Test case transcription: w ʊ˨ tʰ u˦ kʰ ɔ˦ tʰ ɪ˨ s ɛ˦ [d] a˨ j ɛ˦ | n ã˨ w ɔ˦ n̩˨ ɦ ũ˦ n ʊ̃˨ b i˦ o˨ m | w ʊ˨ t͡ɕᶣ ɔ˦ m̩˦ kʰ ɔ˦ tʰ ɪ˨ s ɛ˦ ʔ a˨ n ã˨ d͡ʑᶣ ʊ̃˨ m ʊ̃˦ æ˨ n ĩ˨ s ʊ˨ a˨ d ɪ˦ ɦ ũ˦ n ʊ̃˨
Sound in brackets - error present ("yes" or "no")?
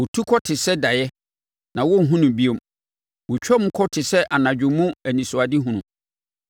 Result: no